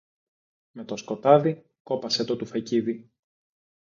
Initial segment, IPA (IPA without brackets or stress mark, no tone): m